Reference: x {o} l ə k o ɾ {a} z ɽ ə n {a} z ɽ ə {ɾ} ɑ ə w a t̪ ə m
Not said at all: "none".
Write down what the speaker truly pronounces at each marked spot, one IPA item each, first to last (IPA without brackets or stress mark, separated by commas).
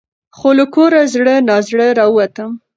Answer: o, a, ɑ, ɾ